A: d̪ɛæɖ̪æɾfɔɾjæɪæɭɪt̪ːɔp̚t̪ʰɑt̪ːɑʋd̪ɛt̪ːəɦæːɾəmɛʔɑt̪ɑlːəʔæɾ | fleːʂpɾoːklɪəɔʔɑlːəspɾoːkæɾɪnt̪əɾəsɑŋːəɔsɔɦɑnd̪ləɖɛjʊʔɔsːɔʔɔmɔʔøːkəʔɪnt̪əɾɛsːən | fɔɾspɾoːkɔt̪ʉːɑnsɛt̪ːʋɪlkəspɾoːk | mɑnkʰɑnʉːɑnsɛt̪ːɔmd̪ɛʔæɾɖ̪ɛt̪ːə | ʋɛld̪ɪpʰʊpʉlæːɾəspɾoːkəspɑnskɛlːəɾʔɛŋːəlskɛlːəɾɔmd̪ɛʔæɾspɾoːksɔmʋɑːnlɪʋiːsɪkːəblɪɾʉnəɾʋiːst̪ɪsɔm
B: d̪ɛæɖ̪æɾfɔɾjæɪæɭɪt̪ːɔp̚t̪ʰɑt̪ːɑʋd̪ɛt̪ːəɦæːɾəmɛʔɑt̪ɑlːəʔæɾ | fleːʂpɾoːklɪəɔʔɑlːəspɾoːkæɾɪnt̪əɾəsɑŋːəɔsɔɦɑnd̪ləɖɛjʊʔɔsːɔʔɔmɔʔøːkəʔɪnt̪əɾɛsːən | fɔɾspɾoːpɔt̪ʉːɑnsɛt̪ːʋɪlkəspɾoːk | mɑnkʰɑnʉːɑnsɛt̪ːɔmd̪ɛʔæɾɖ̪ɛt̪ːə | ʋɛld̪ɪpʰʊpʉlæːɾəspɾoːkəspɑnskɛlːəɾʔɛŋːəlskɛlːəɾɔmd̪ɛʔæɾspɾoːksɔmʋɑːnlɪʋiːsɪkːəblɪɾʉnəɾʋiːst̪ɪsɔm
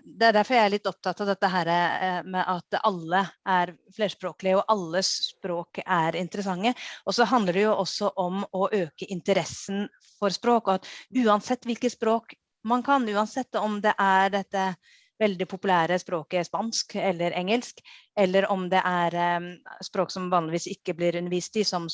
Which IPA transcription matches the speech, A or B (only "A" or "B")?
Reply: A